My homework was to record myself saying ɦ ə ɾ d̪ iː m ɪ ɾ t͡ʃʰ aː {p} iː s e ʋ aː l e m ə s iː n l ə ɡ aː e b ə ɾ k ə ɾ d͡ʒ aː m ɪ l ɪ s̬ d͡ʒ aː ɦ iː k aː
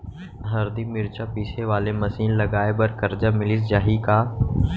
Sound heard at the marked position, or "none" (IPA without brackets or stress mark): p